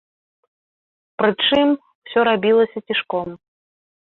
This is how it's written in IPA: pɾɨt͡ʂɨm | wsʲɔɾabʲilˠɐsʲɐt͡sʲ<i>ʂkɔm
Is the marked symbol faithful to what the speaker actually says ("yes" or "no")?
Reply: yes